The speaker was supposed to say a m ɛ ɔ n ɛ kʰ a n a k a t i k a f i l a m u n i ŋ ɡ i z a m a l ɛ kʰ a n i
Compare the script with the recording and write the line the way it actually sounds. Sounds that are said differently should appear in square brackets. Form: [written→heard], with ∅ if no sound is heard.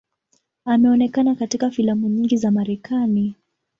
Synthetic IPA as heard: a m ɛ ɔ n ɛ [kʰ→k] a n a k a t i k a f i l a m u [n→ɲ] i ŋ ɡ i z a m a [l→ɾ] ɛ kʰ a n i